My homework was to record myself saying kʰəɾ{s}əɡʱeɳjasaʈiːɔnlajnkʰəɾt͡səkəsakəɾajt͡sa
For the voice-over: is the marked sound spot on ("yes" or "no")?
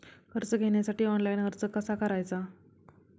no